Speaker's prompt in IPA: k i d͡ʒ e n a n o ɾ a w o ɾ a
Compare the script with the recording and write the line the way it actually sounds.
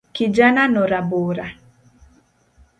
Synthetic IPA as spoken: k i d͡ʒ a n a n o ɾ a b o ɾ a